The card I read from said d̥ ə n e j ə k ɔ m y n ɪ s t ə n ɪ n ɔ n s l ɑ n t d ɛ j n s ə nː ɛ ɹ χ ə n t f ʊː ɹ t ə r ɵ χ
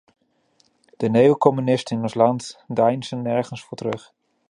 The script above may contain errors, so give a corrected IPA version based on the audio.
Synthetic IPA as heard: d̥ ə n e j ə k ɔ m y n ɪ s t ə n ɪ n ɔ n s l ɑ n t d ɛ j n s ə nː ɛ ɹ χ ə n s f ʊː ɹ t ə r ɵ χ